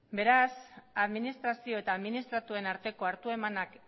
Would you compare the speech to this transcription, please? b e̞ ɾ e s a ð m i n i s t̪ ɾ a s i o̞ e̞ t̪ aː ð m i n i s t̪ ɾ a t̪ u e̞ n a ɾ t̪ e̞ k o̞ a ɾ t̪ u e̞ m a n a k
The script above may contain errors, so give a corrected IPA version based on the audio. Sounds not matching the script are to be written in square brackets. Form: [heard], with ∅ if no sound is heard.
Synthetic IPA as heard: b e̞ ɾ [a] s a ð m i n i s t̪ ɾ a s i o̞ e̞ t̪ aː ð m i n i s t̪ ɾ a t̪ u e̞ n a ɾ t̪ e̞ k o̞ a ɾ t̪ u e̞ m a n a k